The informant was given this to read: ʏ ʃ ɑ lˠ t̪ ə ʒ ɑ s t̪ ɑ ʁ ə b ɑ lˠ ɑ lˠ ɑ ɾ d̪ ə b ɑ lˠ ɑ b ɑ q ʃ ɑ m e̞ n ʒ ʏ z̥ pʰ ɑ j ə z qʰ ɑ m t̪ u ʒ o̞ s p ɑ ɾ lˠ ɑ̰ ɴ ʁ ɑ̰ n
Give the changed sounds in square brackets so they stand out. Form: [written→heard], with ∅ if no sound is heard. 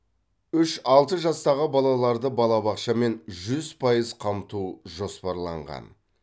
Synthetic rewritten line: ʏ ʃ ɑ lˠ t̪ ə ʒ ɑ s t̪ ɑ ʁ ə b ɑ lˠ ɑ lˠ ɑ ɾ d̪ ə b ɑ lˠ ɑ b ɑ q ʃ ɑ m e̞ n ʒ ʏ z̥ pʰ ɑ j ə z qʰ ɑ m t̪ u ʒ o̞ s p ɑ ɾ lˠ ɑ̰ ɴ ʁ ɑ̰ n

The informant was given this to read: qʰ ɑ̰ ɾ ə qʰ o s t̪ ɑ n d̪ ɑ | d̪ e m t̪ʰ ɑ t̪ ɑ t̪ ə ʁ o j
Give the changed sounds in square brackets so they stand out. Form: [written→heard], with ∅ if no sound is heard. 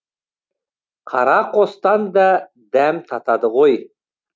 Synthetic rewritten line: qʰ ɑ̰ ɾ [ə→ɑ] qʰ o s t̪ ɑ n d̪ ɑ | d̪ [e→æ] m t̪ʰ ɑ t̪ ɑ [t̪→d̪] ə ʁ o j

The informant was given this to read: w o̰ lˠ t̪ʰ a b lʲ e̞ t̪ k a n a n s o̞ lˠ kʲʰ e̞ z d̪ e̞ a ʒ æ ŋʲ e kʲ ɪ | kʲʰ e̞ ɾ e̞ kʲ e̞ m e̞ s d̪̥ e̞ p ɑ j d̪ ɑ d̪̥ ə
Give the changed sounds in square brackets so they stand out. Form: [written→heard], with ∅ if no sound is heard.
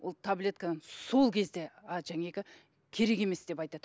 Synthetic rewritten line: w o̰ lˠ t̪ʰ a b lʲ e̞ t̪ k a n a n s o̞ lˠ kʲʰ e̞ z d̪ e̞ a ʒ æ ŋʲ e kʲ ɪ | kʲʰ e̞ ɾ e̞ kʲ e̞ m e̞ s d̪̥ e̞ p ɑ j [d̪→t̪] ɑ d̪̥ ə

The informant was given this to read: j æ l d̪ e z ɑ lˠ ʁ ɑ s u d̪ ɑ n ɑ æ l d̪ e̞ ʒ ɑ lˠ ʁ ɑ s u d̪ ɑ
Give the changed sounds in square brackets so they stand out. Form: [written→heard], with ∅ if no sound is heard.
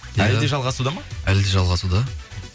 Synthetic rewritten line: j æ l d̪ e [z→ʒ] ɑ lˠ ʁ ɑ s u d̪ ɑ [n→m] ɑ æ l d̪ e̞ ʒ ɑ lˠ ʁ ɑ s u d̪ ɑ

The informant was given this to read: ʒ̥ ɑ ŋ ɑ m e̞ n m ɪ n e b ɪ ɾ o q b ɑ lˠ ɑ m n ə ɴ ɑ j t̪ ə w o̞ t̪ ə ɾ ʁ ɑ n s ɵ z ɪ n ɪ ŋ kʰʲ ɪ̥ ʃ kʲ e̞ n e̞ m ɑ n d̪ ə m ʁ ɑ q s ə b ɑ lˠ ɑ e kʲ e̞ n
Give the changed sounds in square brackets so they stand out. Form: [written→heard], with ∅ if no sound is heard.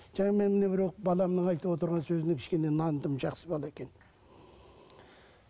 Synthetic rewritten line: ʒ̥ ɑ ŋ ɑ m e̞ n m ɪ n e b ɪ ɾ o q b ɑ lˠ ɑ m n ə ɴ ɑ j t̪ ə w o̞ t̪ ə ɾ ʁ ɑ n s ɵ z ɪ n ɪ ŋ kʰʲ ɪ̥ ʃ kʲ e̞ n e̞ [m→n] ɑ n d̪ ə m [ʁ→ʒ] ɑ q s ə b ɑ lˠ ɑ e kʲ e̞ n

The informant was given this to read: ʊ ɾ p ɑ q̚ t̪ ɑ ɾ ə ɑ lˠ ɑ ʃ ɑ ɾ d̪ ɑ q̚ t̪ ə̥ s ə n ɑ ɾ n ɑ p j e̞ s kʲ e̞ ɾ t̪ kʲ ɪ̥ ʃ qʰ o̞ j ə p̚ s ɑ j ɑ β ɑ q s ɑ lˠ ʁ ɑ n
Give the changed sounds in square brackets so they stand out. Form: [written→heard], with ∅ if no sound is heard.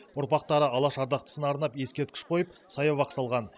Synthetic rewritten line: ʊ ɾ p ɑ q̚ t̪ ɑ ɾ ə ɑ lˠ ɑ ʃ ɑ ɾ d̪ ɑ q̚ t̪ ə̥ s ə n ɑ ɾ n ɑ p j e̞ s kʲ e̞ ɾ t̪ kʲ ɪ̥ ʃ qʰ o̞ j ə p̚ s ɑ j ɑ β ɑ q s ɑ lˠ ʁ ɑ n

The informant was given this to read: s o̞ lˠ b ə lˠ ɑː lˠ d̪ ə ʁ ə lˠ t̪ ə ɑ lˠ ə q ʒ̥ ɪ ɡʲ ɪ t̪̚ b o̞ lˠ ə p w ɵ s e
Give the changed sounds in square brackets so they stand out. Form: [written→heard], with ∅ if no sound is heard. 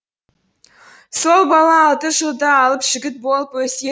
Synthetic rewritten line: s o̞ lˠ b [ə→ɑ] lˠ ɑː lˠ [d̪→t̪] ə [ʁ→ʒ] ə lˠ [t̪→d̪] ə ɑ lˠ ə [q→p] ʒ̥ ɪ ɡʲ ɪ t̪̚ b o̞ lˠ ə p w ɵ s e

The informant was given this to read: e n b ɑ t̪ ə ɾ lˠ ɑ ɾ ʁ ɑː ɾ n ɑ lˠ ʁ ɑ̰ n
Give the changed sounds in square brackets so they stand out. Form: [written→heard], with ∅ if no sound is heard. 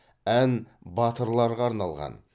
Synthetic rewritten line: [e→æ] n b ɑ t̪ ə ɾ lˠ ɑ ɾ ʁ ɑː ɾ n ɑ lˠ ʁ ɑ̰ n

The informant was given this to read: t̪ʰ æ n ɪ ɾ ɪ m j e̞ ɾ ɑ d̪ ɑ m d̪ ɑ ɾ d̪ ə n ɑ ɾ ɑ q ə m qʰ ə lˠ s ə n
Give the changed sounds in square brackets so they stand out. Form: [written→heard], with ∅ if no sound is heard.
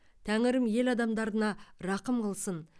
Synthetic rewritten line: t̪ʰ æ [n→ŋ] ɪ ɾ ɪ m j e̞ [ɾ→l] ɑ d̪ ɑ m d̪ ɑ ɾ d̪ ə n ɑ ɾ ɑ q ə m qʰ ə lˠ s ə n

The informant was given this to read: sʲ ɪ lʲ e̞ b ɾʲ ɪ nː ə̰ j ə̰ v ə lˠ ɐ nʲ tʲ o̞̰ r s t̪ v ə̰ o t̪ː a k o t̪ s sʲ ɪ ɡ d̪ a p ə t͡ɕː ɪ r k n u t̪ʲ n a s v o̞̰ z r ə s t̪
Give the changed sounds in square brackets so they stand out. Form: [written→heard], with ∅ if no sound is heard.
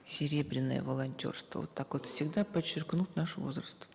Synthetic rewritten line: sʲ ɪ [lʲ→ɾʲ] e̞ b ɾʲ ɪ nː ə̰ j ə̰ v ə lˠ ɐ nʲ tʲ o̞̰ r s t̪ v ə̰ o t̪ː a k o t̪ [s→f] sʲ ɪ ɡ d̪ a p ə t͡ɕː ɪ r k n u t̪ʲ n a [s→ʂ] v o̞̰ z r ə s t̪

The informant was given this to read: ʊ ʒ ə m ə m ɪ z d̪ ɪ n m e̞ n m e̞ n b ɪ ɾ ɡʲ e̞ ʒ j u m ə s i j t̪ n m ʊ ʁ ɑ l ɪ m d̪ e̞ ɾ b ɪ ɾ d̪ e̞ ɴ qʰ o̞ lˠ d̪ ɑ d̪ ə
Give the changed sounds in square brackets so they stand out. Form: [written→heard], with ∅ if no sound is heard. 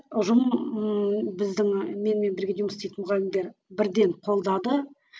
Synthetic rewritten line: ʊ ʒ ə m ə [m→b] ɪ z d̪ ɪ [n→ŋ] m e̞ n m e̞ n b ɪ ɾ ɡʲ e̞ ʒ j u m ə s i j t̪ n m ʊ ʁ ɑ l ɪ m d̪ e̞ ɾ b ɪ ɾ d̪ e̞ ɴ qʰ o̞ lˠ d̪ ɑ d̪ ə

